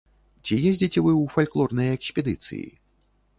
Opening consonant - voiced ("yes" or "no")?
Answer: no